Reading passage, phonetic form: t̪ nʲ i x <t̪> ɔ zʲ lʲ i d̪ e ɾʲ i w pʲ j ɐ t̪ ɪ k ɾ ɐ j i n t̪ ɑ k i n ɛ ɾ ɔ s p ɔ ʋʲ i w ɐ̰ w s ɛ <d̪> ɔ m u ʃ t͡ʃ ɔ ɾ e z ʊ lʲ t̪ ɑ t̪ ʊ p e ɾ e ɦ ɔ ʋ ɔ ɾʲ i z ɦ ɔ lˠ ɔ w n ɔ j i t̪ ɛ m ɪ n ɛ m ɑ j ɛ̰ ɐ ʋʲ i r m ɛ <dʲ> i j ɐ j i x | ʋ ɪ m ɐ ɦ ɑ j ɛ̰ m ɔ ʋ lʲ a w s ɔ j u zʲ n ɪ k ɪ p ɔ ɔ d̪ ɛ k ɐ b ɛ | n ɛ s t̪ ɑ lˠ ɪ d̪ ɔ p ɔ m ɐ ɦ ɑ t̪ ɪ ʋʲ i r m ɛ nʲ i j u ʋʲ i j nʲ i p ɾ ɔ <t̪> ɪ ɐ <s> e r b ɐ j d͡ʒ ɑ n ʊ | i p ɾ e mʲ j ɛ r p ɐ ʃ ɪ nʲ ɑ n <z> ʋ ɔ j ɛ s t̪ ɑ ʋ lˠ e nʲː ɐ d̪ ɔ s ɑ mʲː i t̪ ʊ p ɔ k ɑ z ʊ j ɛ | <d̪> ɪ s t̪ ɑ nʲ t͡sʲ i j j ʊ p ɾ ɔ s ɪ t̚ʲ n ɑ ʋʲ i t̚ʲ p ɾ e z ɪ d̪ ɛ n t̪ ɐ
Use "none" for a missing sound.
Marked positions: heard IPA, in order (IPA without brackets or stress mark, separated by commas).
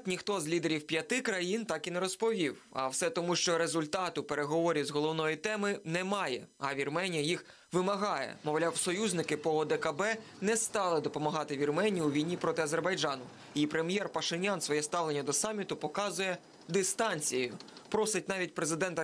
t̪, t̪, nʲ, t̪, z, s, d̪